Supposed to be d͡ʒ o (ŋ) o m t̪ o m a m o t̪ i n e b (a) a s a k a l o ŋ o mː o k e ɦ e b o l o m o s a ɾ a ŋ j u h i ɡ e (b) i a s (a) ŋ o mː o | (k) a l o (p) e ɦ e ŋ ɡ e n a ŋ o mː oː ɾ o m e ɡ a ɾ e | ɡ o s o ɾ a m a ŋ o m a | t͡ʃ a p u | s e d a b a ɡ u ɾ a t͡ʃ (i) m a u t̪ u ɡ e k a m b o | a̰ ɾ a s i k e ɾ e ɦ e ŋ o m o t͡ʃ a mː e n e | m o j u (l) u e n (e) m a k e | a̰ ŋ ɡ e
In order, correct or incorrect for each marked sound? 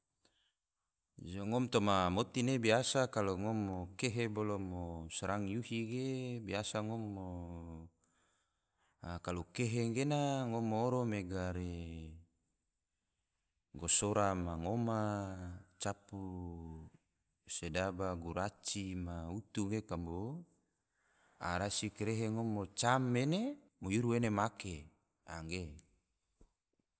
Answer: correct, incorrect: i, correct, correct, correct, incorrect: k, correct, incorrect: ɾ, correct

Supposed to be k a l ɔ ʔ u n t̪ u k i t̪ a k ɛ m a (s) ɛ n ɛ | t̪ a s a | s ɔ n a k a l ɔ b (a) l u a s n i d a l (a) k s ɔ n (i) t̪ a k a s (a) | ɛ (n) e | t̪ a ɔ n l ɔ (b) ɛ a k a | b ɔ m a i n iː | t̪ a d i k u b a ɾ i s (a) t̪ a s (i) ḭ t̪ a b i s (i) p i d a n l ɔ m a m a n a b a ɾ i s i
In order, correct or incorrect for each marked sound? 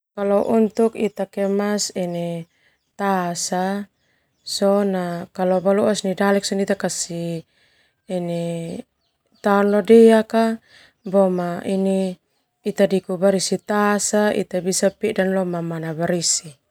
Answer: correct, correct, incorrect: ɛ, correct, incorrect: i, correct, incorrect: d, incorrect: i, incorrect: a, incorrect: a

